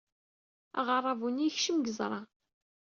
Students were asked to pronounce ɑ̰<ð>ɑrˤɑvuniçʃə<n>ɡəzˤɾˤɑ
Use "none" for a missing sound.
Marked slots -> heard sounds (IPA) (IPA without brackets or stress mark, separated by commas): ʁ, m